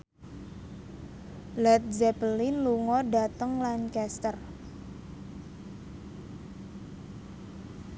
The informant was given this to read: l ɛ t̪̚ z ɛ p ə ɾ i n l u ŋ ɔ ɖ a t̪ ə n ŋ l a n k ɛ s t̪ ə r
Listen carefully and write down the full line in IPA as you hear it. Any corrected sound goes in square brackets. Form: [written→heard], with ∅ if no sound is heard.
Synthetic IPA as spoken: l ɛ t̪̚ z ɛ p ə [ɾ→l] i n l u ŋ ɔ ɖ a t̪ ə [n→∅] ŋ l a n k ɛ s t̪ ə r